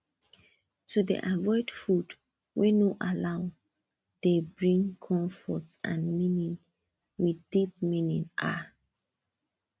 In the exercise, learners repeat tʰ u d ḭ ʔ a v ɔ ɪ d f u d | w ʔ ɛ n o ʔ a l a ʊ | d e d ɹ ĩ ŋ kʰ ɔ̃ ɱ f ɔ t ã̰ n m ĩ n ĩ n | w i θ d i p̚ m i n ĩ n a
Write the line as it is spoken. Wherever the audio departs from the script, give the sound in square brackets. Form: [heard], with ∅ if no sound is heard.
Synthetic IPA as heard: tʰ u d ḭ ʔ a v ɔ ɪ d f u d | w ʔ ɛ n o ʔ a l a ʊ | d e [b] ɹ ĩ ŋ kʰ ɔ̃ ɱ f ɔ t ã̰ n m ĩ n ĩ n | w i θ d i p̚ m i n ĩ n a